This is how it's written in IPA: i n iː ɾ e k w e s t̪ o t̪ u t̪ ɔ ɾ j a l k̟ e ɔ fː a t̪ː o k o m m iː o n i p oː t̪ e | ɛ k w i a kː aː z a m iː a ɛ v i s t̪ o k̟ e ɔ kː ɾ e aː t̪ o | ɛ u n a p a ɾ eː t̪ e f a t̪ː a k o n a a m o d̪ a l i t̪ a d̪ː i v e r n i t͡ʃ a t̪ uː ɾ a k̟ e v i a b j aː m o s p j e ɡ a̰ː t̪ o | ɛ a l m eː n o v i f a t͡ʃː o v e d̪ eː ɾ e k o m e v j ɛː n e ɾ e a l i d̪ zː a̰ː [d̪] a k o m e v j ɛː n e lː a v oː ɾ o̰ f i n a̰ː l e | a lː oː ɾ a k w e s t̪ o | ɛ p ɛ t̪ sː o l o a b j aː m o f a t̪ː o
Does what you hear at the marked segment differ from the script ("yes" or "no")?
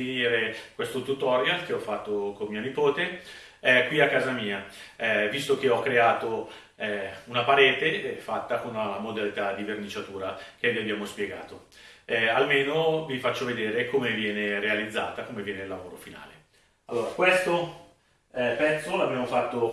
yes